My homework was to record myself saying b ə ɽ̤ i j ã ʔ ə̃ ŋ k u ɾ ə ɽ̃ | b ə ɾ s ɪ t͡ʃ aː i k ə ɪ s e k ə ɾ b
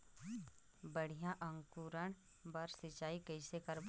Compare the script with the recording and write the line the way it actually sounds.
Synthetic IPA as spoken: b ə ɽ̤ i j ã ʔ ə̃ ŋ k u ɾ ə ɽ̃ | b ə ɾ s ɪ t͡ʃ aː i k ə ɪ s e k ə ɾ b